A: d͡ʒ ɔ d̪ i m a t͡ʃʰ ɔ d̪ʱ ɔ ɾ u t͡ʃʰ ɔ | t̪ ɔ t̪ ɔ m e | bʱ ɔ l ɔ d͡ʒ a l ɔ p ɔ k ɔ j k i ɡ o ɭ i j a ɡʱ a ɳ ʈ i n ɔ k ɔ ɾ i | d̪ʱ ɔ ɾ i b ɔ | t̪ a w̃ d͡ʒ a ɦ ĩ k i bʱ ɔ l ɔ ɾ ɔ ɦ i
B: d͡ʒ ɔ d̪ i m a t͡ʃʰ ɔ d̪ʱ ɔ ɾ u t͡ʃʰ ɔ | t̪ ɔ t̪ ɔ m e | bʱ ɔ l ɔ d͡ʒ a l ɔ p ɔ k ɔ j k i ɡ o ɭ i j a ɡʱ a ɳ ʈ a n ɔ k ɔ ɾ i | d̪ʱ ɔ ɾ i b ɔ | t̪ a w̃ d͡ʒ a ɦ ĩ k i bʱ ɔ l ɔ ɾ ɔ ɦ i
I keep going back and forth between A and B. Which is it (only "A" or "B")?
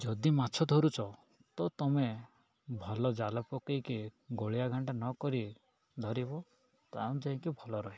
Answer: B